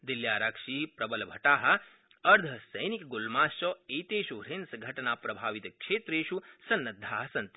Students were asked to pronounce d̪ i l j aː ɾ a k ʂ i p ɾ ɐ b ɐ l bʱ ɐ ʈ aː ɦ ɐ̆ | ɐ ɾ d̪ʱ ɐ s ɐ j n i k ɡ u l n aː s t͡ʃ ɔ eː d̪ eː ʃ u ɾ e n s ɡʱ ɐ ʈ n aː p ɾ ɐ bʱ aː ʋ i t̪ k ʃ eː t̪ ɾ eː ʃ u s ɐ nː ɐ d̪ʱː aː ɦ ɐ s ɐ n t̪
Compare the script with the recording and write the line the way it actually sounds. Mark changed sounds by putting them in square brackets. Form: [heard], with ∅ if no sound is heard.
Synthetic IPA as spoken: d̪ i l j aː ɾ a k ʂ i p ɾ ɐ b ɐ l bʱ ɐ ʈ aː ɦ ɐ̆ | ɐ ɾ d̪ʱ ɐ s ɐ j n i k ɡ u l [m] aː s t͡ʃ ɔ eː [t̪] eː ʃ u ɾ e n s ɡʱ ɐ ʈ n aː p ɾ ɐ bʱ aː ʋ i t̪ k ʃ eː t̪ ɾ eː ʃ u s ɐ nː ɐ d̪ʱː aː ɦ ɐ s ɐ n t̪